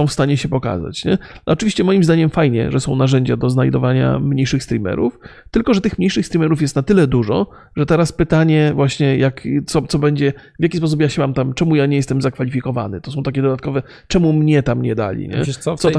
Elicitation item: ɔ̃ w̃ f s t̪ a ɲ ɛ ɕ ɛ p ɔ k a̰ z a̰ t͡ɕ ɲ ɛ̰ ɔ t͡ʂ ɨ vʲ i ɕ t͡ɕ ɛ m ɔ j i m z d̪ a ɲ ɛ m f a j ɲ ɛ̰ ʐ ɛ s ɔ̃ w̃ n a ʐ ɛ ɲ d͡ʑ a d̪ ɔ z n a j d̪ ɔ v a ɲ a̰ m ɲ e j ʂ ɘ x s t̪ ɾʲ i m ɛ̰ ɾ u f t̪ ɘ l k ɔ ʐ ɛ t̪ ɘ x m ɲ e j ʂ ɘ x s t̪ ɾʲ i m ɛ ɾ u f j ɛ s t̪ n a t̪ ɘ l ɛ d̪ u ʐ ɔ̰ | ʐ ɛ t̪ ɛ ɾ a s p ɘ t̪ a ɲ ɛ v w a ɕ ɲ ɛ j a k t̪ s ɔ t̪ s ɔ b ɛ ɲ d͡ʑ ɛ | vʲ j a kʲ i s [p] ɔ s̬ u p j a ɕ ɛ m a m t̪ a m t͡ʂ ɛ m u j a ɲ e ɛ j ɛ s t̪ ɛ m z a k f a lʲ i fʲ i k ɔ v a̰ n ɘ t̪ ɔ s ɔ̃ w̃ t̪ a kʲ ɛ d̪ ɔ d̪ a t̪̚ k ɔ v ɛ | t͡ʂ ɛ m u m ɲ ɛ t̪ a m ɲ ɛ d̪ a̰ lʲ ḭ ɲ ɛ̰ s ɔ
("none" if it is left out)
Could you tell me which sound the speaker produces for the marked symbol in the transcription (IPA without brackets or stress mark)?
p